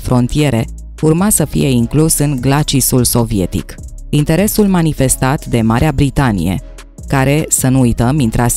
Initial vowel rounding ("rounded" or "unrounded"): rounded